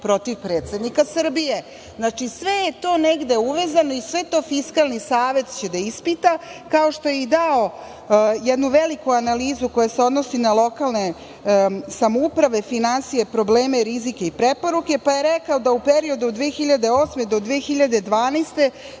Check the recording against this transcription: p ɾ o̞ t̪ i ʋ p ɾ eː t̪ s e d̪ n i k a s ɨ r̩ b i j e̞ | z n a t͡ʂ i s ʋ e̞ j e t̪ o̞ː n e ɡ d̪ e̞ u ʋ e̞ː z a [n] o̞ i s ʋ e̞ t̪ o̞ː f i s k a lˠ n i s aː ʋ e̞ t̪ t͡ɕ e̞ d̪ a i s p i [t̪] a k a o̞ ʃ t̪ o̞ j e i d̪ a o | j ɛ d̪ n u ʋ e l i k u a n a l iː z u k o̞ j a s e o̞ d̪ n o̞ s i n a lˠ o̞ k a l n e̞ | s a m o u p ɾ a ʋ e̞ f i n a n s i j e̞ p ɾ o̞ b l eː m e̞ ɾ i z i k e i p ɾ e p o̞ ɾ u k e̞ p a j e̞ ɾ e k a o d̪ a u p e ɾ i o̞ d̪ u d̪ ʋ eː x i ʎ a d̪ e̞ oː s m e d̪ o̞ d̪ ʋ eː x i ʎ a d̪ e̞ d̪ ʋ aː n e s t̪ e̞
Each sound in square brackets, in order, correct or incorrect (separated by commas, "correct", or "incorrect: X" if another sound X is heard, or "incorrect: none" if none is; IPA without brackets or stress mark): correct, correct